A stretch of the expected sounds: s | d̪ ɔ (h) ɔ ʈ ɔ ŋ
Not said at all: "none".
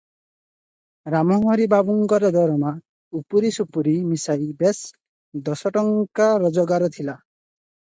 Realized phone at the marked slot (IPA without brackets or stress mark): s